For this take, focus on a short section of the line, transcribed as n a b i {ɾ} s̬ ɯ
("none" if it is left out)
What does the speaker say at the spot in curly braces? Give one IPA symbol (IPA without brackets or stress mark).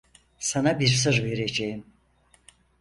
ɾ